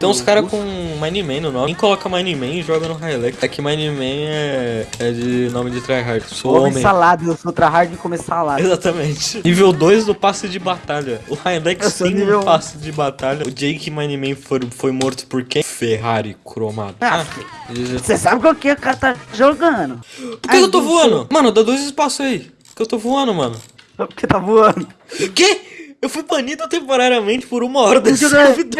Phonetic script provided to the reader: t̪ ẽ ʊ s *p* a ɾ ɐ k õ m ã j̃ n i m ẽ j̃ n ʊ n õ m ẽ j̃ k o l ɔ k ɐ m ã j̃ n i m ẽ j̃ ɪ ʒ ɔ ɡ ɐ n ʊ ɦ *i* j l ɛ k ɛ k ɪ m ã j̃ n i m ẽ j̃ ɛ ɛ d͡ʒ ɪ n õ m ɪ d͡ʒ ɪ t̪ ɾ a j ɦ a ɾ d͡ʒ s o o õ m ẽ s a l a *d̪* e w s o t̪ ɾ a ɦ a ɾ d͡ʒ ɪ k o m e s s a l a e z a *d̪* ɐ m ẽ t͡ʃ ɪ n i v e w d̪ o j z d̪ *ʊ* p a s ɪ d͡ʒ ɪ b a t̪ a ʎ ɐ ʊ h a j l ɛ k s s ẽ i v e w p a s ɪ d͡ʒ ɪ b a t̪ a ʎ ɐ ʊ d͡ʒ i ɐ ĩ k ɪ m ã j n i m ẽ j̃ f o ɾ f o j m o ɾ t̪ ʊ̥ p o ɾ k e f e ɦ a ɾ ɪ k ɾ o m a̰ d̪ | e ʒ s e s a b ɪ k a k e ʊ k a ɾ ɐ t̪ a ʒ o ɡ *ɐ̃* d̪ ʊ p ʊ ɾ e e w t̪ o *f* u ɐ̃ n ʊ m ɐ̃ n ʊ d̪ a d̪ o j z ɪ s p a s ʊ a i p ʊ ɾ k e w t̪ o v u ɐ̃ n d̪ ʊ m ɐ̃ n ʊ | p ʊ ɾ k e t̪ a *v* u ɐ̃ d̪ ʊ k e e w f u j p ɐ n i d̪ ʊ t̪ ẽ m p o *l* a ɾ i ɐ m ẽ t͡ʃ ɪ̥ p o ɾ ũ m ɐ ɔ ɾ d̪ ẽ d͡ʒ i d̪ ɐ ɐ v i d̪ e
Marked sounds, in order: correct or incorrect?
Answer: incorrect, incorrect, correct, incorrect, correct, correct, incorrect, correct, incorrect

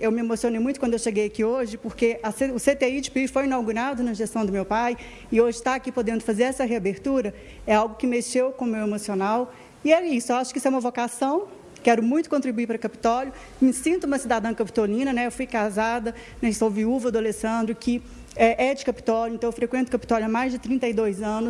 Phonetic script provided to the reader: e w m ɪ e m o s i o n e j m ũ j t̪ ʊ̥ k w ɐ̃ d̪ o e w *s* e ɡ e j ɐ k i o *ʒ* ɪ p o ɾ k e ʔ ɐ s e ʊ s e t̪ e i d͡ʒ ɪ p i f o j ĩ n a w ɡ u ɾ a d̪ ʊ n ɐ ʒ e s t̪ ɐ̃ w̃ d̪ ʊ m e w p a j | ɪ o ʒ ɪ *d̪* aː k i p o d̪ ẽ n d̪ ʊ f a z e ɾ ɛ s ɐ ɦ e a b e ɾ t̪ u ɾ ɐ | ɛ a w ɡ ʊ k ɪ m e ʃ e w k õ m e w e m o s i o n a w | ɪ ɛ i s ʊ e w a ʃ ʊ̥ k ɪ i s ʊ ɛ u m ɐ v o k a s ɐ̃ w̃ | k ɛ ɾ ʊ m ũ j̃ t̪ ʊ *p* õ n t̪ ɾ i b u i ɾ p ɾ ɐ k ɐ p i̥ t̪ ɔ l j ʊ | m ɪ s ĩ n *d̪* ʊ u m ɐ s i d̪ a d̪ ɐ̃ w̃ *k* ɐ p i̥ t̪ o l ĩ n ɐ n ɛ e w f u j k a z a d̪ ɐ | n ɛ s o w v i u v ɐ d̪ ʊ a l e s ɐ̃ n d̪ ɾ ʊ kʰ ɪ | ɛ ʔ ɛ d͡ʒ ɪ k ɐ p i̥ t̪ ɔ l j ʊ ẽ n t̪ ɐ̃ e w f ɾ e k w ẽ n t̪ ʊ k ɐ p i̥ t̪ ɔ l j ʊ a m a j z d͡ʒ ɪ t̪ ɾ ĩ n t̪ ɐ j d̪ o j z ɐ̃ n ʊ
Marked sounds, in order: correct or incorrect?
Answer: incorrect, correct, incorrect, incorrect, incorrect, correct

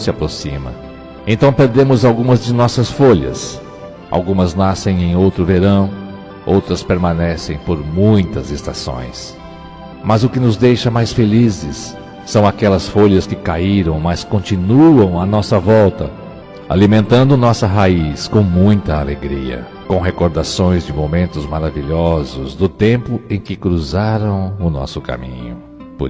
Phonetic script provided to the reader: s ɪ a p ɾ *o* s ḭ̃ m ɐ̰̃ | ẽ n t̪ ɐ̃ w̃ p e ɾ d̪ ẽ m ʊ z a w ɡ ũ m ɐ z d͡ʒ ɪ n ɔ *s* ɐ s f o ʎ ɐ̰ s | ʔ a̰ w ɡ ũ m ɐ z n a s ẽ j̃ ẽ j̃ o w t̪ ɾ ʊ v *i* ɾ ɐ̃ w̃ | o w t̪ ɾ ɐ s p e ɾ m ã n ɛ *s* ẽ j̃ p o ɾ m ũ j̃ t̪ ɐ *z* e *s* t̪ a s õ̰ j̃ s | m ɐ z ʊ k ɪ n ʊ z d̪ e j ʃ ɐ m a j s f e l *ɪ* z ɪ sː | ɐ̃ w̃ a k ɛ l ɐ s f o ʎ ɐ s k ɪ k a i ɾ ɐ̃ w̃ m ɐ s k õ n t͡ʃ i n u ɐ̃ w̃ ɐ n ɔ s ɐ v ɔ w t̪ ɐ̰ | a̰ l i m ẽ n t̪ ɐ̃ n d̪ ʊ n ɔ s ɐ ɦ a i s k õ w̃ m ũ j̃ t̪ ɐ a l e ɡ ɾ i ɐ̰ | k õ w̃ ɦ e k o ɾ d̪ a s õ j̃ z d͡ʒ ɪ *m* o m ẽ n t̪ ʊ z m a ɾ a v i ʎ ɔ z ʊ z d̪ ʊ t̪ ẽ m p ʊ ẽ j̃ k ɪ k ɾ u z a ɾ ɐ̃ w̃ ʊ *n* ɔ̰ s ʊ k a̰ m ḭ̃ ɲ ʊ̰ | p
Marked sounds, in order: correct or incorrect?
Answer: correct, correct, incorrect, correct, correct, correct, incorrect, correct, correct

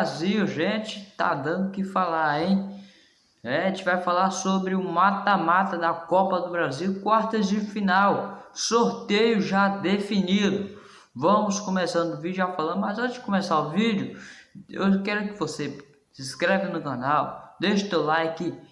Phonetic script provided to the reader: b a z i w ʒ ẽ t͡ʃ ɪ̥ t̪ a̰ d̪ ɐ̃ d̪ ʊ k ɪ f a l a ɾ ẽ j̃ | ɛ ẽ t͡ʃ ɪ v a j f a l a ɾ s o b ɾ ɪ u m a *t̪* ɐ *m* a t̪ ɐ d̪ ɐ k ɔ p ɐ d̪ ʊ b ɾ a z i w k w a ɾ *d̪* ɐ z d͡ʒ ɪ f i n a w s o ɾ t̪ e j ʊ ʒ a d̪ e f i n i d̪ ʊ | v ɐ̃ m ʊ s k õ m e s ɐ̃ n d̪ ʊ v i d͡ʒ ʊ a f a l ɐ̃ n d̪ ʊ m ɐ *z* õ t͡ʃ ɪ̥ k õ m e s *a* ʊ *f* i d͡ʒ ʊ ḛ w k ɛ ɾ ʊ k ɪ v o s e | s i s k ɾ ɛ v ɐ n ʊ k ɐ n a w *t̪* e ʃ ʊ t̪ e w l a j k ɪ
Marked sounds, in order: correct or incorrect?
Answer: correct, correct, incorrect, correct, correct, incorrect, incorrect

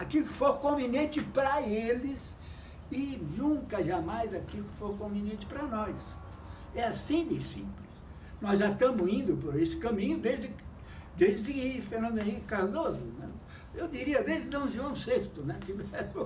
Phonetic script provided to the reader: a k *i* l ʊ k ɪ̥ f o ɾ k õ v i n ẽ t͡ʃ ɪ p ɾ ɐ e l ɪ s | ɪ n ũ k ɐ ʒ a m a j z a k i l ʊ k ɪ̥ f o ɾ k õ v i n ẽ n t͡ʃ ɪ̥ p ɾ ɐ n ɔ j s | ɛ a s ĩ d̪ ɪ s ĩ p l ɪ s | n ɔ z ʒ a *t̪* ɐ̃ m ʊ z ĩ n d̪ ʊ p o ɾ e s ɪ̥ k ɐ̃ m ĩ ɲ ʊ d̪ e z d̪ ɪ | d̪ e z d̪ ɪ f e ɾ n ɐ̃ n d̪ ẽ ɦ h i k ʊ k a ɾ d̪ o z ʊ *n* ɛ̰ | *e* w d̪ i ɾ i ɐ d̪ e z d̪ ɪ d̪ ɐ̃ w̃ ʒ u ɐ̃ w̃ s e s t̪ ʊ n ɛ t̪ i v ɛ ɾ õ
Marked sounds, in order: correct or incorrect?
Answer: correct, correct, correct, correct

